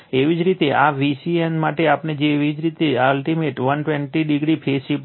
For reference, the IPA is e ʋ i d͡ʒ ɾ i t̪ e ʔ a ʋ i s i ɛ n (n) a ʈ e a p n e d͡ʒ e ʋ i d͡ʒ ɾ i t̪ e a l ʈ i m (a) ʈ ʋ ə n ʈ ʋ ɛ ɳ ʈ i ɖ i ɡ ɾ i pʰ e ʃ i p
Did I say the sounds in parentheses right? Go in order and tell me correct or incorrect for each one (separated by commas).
incorrect, incorrect